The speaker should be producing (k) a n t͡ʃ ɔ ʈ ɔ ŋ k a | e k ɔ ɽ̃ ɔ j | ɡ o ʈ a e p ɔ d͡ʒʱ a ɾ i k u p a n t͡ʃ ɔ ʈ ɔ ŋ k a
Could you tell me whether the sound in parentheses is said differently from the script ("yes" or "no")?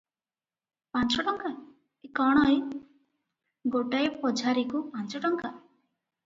yes